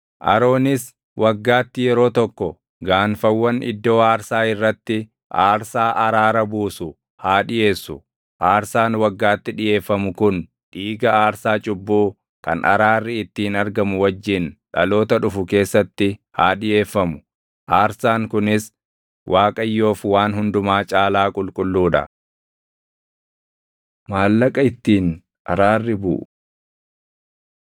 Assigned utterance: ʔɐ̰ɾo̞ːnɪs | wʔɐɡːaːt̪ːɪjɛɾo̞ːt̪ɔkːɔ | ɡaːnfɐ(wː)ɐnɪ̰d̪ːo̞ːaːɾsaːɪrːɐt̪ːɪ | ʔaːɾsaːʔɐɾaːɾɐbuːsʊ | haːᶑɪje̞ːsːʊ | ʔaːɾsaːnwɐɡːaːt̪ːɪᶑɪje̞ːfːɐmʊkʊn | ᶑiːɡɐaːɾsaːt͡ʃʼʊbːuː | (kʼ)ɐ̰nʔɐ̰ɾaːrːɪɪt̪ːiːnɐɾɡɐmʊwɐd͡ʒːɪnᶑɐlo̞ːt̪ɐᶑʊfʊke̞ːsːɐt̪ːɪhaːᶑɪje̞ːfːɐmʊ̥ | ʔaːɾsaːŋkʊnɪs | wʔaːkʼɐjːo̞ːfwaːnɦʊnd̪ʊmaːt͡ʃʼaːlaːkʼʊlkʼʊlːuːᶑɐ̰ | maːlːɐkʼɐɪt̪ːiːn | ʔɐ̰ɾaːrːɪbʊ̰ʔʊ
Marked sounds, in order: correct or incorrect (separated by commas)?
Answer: correct, incorrect